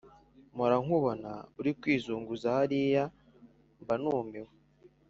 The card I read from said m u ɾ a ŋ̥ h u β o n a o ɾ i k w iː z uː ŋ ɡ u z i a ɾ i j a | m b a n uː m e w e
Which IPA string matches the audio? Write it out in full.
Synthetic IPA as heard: m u ɾ a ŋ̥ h u β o n a u ɾ i k w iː z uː ŋ ɡ u z a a ɾ i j a | m b a n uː m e w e